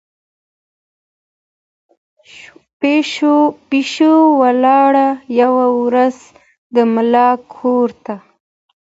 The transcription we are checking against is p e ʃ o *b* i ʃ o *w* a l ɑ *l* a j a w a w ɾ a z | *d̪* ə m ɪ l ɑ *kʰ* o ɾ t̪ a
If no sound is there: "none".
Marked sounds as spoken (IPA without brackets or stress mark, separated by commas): p, w, ɽ, d̪, kʰ